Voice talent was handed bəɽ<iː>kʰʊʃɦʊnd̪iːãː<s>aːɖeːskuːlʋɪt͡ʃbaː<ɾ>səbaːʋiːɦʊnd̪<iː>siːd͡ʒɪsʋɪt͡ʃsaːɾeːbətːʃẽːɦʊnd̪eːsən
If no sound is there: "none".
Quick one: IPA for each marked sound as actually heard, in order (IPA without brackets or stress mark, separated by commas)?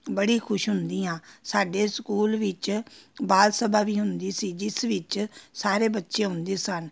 iː, s, l, iː